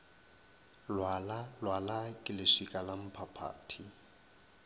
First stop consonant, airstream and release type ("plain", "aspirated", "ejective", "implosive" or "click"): ejective